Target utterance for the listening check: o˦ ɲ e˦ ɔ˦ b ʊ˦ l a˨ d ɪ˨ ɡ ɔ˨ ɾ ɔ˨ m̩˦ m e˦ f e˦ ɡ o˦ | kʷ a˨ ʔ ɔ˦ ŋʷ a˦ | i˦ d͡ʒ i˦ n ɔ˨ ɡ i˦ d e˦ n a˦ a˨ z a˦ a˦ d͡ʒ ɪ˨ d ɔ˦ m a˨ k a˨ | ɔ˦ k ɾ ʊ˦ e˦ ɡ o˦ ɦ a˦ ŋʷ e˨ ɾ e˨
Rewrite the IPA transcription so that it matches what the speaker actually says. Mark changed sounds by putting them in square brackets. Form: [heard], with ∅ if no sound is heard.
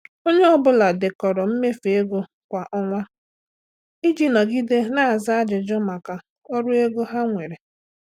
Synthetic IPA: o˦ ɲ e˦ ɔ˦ b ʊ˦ l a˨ d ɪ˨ [k] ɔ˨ ɾ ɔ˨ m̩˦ m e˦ f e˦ ɡ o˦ | kʷ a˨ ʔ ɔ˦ ŋʷ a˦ | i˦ d͡ʒ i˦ n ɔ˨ ɡ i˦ d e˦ n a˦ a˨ z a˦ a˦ d͡ʒ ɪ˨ [d͡ʒ] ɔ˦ m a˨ k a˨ | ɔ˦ [∅] ɾ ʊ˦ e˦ ɡ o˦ ɦ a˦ ŋʷ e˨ ɾ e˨